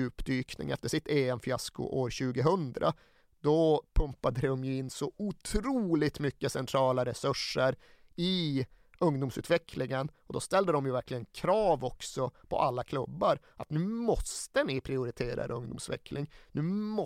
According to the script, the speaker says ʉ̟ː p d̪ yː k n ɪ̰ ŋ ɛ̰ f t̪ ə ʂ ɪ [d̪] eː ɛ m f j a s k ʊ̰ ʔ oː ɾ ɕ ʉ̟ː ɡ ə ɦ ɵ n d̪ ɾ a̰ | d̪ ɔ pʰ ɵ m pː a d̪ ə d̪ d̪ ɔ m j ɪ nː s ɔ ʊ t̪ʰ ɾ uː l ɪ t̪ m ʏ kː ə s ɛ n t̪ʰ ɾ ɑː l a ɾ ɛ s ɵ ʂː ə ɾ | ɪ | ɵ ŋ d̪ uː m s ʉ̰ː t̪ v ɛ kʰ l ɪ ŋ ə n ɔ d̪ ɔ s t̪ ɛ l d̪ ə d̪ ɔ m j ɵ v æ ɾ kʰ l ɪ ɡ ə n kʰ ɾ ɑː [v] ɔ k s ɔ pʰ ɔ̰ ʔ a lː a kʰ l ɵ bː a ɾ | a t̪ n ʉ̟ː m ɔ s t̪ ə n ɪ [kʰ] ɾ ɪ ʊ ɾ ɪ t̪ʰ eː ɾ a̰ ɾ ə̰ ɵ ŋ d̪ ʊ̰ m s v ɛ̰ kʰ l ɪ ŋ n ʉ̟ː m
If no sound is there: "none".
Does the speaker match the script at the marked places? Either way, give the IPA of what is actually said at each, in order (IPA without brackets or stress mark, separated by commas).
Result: t̪, v, pʰ